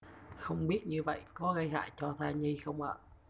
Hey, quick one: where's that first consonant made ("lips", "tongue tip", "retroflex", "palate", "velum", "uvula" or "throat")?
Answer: velum